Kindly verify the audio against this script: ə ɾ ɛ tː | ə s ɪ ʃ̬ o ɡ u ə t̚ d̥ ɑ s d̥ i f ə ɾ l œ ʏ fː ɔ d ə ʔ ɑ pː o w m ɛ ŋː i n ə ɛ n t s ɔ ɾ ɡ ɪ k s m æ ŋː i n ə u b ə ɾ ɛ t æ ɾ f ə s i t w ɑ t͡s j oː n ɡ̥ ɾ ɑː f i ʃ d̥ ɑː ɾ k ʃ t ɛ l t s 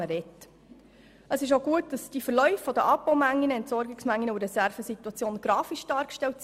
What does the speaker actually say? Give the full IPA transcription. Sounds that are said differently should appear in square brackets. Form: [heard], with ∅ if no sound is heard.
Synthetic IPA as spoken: ə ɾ ɛ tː | ə s ɪ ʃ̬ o ɡ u ə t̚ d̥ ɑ s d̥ i f ə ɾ l œ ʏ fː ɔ d ə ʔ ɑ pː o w m [æ] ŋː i n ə ɛ n t s ɔ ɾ ɡ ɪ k s m æ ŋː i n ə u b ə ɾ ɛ [s] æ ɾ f ə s i t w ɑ t͡s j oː n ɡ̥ ɾ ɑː f i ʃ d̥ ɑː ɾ k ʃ t ɛ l t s